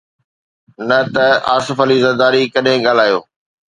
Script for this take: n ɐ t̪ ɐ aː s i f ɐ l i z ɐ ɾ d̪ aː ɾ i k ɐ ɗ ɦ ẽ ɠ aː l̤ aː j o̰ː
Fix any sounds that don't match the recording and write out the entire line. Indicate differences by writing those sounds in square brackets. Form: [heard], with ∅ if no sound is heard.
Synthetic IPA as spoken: n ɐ t̪ ɐ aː s [ɪ] f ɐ l i z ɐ ɾ d̪ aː ɾ i k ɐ ɗ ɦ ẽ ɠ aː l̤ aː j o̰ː